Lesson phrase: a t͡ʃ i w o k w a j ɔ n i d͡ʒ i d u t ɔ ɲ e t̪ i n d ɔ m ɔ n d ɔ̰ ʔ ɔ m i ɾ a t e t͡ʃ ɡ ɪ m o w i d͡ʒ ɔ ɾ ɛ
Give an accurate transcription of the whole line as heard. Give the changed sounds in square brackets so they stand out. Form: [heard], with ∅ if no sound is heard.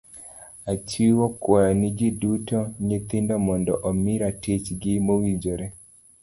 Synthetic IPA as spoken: a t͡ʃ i w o k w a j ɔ n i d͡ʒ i d u t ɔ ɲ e t̪ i n d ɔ m ɔ n d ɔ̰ ʔ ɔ m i ɾ a t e t͡ʃ ɡ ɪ m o w i d͡ʒ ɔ ɾ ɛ